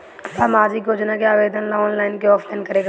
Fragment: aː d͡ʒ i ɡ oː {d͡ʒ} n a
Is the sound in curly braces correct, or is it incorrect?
correct